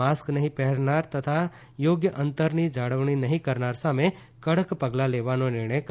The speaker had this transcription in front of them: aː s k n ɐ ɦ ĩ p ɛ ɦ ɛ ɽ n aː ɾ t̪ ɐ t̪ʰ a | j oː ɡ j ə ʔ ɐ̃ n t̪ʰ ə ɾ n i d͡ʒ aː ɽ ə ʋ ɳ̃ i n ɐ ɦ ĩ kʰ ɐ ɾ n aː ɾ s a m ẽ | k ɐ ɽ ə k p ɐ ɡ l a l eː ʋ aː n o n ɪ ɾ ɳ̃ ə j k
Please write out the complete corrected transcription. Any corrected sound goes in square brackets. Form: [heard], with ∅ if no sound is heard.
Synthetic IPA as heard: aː s k n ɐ ɦ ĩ p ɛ ɦ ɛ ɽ n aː ɾ t̪ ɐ t̪ʰ a | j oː ɡ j ə ʔ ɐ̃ n [t̪] ə ɾ n i d͡ʒ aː ɽ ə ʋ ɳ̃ i n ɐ ɦ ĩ [k] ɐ ɾ n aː ɾ s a m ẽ | k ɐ ɽ ə k p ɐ ɡ l a l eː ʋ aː n o n ɪ ɾ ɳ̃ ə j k